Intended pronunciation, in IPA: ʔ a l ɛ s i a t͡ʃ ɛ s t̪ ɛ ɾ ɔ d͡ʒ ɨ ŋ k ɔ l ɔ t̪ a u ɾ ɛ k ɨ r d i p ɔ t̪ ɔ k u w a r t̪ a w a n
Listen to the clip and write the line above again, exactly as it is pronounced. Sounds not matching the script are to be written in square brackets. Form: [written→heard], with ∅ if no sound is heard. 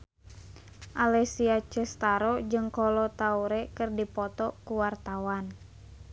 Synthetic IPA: ʔ a l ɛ s i a t͡ʃ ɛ s t̪ [ɛ→a] ɾ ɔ d͡ʒ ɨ ŋ k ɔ l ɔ t̪ a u ɾ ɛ k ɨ r d i p ɔ t̪ ɔ k u w a r t̪ a w a n